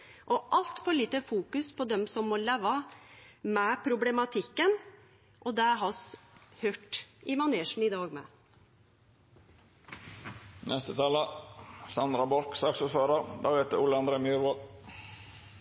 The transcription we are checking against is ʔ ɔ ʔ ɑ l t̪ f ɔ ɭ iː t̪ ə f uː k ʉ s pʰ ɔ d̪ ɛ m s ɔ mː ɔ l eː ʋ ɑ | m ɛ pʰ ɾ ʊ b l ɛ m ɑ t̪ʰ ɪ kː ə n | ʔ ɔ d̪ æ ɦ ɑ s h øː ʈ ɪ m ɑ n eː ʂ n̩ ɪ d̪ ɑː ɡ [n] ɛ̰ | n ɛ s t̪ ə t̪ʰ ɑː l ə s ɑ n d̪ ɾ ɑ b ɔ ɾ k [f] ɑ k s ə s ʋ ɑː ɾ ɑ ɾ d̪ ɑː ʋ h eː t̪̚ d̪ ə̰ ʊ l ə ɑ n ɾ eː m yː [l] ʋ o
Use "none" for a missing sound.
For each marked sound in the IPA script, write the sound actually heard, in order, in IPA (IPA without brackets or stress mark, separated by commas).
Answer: m, s, ɾ